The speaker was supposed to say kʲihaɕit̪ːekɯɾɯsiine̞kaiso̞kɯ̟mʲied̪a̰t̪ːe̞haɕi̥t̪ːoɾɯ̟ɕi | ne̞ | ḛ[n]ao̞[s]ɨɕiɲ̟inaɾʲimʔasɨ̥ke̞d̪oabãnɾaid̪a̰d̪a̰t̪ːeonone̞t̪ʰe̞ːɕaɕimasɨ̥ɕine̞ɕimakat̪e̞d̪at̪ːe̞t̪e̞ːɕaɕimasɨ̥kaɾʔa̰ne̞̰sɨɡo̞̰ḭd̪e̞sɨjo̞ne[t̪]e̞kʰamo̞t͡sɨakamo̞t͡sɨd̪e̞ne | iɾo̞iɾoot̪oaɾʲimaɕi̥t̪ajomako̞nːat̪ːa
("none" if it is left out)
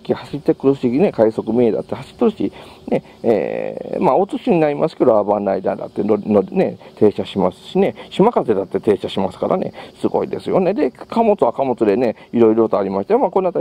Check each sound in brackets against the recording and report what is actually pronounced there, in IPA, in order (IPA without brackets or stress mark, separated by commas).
m, t͡s, d̪